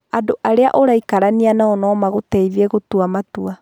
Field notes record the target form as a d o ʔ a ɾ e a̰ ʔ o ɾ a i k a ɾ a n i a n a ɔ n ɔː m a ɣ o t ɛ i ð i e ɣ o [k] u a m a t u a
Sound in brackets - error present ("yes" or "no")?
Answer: yes